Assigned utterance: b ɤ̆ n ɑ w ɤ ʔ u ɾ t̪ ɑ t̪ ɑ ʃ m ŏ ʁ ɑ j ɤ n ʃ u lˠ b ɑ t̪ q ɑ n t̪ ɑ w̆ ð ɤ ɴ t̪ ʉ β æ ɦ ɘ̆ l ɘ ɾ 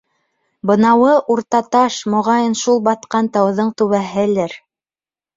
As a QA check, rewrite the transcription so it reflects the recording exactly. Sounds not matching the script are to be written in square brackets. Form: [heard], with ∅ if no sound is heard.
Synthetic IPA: b ɤ̆ n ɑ w ɤ ʔ u ɾ t̪ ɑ t̪ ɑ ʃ m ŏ ʁ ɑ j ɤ n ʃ u lˠ b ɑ t̪ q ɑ n t̪ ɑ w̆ ð ɤ ɴ t̪ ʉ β æ ɦ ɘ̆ l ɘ ɾ